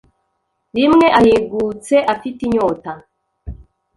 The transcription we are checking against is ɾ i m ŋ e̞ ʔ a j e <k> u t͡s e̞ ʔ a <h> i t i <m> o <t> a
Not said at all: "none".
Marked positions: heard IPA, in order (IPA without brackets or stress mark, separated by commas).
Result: ɡ, f, ɲ, t